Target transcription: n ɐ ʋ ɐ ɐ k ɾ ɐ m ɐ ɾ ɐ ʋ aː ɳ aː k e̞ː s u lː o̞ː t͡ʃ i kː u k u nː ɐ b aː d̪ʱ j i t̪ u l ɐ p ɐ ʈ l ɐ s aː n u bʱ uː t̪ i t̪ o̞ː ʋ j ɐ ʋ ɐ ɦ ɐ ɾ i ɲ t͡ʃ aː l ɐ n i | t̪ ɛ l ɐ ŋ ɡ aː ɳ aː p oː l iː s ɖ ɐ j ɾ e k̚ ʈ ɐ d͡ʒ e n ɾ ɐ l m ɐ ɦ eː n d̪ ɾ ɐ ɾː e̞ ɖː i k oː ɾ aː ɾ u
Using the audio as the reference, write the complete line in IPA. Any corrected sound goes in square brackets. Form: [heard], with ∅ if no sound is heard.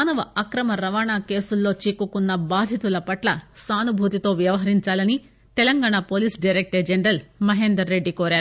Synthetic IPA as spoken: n ɐ ʋ ɐ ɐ k ɾ ɐ m ɐ ɾ ɐ ʋ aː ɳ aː k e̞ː s u lː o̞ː t͡ʃ i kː u k u nː ɐ b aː d̪ʱ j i t̪ u l ɐ p ɐ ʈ l ɐ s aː n u bʱ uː t̪ i t̪ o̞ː ʋ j ɐ ʋ ɐ ɦ ɐ ɾ i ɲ t͡ʃ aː l ɐ n i | t̪ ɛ l ɐ ŋ ɡ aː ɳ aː p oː l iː s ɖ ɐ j ɾ e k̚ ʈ ɐ d͡ʒ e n ɾ ɐ l m ɐ ɦ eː n d̪ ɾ ɐ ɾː e̞ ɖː i k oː ɾ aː ɾ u